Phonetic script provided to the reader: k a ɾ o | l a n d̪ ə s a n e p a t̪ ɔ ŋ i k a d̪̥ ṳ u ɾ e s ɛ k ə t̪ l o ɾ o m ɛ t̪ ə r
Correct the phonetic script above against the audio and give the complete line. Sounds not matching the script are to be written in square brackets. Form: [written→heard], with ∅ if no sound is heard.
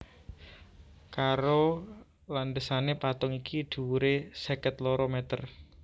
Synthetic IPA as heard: k a ɾ o | l a n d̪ ə s a n e p a t̪ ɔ ŋ i k [a→i] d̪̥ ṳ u ɾ e s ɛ k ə t̪ l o ɾ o m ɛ t̪ ə r